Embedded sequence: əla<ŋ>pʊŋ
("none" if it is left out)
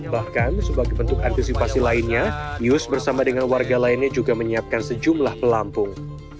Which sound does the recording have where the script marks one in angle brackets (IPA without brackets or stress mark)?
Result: m